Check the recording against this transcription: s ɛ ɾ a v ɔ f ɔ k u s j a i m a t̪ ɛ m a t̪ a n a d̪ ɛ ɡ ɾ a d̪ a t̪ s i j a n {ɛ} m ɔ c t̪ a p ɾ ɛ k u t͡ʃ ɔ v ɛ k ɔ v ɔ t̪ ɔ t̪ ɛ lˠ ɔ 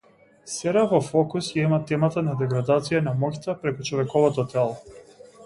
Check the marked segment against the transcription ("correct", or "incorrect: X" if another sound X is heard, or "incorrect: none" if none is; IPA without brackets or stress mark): incorrect: a